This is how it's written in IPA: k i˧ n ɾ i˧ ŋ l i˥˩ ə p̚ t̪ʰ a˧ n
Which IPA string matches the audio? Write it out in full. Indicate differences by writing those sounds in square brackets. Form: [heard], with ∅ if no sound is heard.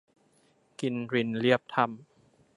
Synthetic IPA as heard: k i˧ n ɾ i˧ [n] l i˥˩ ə p̚ t̪ʰ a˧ [m]